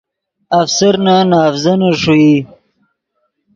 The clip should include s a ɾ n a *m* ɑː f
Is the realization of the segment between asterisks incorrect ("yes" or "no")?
yes